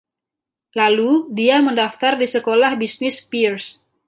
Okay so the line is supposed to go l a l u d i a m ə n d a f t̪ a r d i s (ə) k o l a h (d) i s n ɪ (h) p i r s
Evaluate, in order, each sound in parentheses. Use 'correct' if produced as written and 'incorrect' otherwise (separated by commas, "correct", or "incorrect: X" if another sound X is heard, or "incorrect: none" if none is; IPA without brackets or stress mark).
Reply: correct, incorrect: b, incorrect: s